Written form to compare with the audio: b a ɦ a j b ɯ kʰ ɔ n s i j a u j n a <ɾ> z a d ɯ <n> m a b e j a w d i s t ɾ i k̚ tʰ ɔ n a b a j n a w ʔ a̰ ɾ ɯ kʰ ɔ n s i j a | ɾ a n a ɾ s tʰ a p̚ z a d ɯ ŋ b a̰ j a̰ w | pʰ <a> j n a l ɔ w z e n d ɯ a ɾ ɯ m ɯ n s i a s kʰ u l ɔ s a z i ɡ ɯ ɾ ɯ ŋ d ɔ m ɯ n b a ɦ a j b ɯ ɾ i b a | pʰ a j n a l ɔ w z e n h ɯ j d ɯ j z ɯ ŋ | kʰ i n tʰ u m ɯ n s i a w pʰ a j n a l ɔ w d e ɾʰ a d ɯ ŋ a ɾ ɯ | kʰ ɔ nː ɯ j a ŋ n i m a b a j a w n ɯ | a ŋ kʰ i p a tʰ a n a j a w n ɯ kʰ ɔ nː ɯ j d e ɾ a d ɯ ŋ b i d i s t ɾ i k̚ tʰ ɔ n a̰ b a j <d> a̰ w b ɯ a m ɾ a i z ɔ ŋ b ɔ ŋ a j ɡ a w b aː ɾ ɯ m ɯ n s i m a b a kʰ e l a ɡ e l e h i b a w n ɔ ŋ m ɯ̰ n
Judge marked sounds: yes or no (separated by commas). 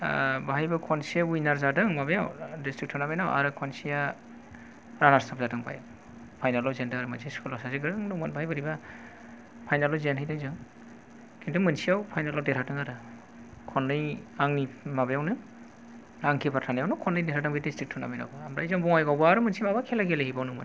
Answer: yes, no, yes, no